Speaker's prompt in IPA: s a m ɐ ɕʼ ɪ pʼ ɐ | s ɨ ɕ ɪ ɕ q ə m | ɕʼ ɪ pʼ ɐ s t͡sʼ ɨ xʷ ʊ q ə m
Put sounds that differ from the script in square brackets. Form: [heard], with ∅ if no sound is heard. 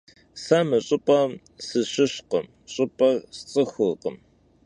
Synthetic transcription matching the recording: s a m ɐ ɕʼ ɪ pʼ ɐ | s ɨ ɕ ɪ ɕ q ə m | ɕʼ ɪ pʼ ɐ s t͡sʼ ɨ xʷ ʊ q ə m